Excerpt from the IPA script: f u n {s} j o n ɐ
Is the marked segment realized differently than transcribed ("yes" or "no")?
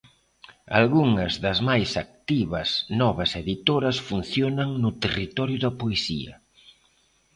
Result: yes